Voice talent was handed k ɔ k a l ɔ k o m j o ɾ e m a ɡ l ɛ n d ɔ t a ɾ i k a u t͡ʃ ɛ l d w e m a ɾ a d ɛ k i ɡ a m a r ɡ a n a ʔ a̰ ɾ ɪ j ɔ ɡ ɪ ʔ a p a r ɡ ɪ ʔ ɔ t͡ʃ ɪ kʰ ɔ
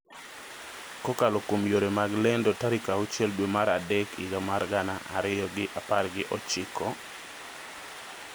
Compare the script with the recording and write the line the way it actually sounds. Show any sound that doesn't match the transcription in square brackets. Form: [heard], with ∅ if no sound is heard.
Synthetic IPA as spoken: k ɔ k a l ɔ k o m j o ɾ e m a ɡ l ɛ n d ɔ t a ɾ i k a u t͡ʃ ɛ l d w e m a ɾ a d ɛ k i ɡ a m a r ɡ a n a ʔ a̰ ɾ ɪ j ɔ ɡ ɪ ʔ a p a r ɡ ɪ ʔ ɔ t͡ʃ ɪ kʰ ɔ